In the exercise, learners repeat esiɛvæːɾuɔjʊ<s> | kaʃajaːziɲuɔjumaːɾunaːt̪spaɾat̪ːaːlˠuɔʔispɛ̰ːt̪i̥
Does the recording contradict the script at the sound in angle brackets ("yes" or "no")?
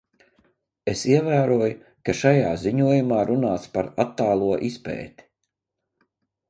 yes